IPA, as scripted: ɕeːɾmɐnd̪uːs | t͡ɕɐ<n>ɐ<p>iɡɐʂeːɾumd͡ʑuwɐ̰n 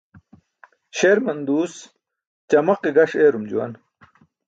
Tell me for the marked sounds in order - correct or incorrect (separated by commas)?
incorrect, incorrect